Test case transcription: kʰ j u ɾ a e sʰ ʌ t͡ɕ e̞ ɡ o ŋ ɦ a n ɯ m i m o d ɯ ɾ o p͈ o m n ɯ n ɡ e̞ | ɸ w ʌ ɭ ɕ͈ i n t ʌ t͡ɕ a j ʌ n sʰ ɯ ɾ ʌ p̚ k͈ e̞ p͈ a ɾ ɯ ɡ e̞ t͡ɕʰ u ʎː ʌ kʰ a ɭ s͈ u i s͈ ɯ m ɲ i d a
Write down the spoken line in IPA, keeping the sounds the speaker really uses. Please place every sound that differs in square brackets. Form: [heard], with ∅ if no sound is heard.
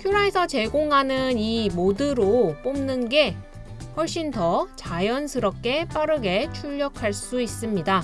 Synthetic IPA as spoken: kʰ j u ɾ a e sʰ ʌ t͡ɕ e̞ ɡ o ŋ ɦ a n ɯ [n] i m o d ɯ ɾ o p͈ o m n ɯ n ɡ e̞ | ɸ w ʌ ɭ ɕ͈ i n t ʌ t͡ɕ a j ʌ n sʰ ɯ ɾ ʌ p̚ k͈ e̞ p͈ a ɾ ɯ ɡ e̞ t͡ɕʰ u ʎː ʌ kʰ a ɭ s͈ u i s͈ ɯ m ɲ i d a